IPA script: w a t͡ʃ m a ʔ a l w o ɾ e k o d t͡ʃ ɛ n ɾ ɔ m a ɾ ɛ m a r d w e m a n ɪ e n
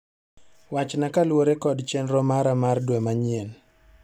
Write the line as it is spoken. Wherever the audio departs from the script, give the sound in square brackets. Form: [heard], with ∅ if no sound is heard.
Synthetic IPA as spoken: w a t͡ʃ [n] a [k] a l w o ɾ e k [ɔ] d t͡ʃ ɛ n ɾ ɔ m a ɾ [a] m a r d w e m a [ɲ] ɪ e n